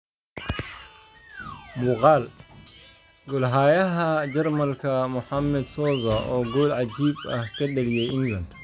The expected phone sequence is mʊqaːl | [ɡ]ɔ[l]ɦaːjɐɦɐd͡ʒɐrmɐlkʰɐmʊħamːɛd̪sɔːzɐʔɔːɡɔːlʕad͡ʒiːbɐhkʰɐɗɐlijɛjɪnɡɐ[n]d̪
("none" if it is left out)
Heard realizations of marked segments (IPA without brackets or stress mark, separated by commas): ɡ, l, n